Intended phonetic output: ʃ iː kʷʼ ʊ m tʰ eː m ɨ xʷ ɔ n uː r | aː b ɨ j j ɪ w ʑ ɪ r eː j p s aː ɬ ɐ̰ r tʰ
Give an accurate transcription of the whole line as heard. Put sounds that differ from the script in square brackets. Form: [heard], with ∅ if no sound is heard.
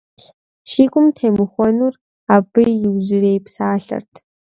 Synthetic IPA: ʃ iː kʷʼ ʊ m tʰ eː m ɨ xʷ ɔ n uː r | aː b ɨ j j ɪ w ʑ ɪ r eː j p s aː ɬ ɐ̰ r tʰ